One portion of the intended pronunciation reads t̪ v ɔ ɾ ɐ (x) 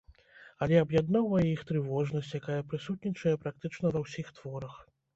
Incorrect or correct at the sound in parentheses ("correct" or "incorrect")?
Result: correct